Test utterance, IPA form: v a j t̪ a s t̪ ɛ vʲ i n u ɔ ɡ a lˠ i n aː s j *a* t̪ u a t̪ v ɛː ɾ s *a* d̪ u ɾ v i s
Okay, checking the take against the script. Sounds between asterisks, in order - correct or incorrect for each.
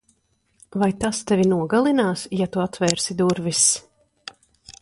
correct, incorrect: i

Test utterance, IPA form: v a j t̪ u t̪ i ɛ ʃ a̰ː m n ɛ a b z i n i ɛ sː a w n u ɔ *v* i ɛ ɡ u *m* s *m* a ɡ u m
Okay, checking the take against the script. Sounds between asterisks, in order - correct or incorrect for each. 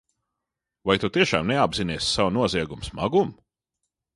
incorrect: z, correct, correct

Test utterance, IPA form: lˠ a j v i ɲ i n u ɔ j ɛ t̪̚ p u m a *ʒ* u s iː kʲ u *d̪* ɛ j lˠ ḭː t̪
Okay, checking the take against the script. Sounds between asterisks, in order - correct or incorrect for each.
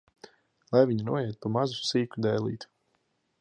incorrect: z, correct

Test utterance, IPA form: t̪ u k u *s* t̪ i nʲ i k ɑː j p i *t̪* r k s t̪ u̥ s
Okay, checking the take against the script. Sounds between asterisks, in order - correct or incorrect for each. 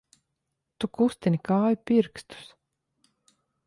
correct, incorrect: none

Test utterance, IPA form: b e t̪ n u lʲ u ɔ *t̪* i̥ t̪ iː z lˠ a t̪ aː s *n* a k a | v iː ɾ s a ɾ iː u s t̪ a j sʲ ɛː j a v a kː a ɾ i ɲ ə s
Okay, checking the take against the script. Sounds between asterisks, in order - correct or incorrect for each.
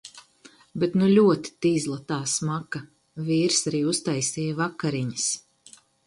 correct, incorrect: m

